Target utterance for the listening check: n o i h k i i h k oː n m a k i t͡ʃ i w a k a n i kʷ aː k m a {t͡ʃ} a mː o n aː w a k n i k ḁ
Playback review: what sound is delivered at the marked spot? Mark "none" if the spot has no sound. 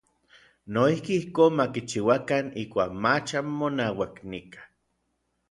t͡ʃ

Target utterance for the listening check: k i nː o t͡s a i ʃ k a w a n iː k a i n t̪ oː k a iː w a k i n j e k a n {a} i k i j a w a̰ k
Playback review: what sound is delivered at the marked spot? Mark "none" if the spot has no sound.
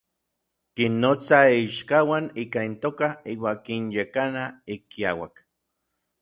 a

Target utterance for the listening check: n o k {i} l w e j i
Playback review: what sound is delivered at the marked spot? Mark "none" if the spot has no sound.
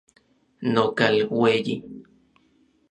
a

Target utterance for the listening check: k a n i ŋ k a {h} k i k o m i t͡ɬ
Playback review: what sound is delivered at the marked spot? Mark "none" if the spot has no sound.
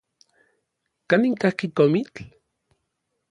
h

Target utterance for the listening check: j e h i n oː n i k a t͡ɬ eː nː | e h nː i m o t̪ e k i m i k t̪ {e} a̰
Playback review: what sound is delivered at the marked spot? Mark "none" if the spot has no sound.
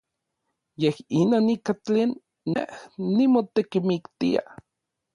i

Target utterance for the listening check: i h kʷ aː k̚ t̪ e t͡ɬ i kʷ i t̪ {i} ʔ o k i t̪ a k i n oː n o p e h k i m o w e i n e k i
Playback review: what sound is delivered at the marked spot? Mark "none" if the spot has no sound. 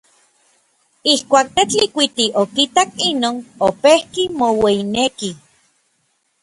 i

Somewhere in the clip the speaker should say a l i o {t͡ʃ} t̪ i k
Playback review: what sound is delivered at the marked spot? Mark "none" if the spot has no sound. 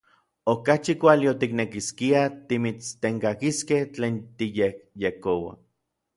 none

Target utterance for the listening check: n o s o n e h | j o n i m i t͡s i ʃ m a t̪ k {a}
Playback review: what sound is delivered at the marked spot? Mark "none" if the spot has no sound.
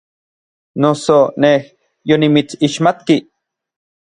i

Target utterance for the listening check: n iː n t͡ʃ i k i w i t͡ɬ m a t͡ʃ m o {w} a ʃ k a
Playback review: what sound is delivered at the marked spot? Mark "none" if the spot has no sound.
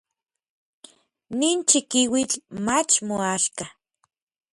none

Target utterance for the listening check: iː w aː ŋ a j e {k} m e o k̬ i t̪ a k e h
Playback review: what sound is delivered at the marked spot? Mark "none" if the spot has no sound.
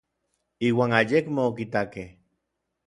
k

